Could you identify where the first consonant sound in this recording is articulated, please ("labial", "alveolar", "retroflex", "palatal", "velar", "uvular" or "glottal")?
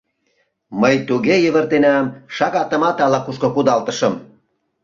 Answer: labial